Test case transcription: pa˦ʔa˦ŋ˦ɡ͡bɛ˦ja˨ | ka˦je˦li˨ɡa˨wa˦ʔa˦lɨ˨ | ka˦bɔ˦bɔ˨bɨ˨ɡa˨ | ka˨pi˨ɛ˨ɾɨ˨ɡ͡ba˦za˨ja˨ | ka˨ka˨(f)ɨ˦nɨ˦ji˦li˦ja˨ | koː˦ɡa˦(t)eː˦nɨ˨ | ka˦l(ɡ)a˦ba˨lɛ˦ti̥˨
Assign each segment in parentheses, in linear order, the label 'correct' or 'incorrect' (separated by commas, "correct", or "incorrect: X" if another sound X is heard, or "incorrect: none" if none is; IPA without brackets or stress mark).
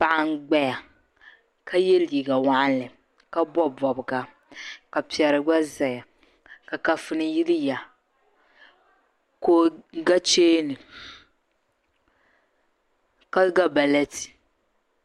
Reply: correct, incorrect: t͡ʃ, correct